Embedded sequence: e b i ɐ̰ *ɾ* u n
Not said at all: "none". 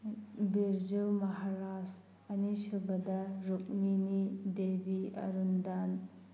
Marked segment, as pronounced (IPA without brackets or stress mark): ɾ